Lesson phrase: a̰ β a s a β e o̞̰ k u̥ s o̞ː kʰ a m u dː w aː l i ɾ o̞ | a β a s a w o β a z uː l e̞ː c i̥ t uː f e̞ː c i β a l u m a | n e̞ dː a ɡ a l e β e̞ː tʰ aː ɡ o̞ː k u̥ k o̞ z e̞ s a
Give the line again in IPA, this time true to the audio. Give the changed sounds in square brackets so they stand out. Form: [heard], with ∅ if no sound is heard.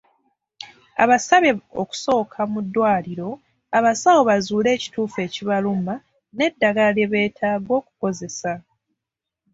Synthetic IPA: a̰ β a s a β e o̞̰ k u̥ s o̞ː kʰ a m u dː w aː l i ɾ o̞ | a β a s a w o β a z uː l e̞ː c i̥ t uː f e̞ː c i β a l u m a | n e̞ dː a ɡ a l e β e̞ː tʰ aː ɡ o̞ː k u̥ k o̞ z e̞ s a